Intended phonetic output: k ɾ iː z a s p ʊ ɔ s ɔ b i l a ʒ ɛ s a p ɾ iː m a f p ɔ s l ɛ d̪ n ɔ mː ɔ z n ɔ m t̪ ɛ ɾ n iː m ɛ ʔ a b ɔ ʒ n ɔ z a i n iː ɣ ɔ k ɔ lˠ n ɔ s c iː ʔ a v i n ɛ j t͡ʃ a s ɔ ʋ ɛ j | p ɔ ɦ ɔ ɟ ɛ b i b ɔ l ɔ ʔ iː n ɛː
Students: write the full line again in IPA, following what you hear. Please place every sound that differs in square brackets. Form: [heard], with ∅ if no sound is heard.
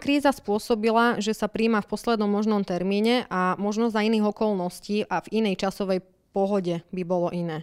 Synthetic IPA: k ɾ iː z a s p ʊ ɔ s ɔ b i l a ʒ ɛ s a p ɾ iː m a f p ɔ s l ɛ d̪ n ɔ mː ɔ [ʒ] n ɔ m t̪ ɛ ɾ [m] iː [ɲ] ɛ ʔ a [m] ɔ ʒ n ɔ z a i n iː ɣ ɔ k ɔ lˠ n ɔ s c iː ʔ a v i n ɛ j t͡ʃ a s ɔ ʋ ɛ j | p ɔ ɦ ɔ ɟ ɛ b i b ɔ l ɔ ʔ [i] n ɛː